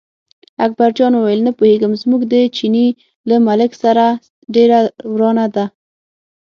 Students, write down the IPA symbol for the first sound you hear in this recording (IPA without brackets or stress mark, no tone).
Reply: a